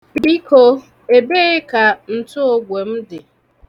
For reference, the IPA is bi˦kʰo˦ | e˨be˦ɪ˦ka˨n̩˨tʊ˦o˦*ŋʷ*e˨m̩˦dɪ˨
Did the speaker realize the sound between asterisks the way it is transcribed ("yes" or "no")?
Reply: no